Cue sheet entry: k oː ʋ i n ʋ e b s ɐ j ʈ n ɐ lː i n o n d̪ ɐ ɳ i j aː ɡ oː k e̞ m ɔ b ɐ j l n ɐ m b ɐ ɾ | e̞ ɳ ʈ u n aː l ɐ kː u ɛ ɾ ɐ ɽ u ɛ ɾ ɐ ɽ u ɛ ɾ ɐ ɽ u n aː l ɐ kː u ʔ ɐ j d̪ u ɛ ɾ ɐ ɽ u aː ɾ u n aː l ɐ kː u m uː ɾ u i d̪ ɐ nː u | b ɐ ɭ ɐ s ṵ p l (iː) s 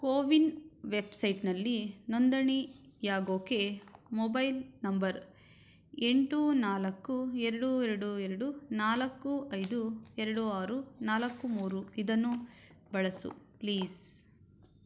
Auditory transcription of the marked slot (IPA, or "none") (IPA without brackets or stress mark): iː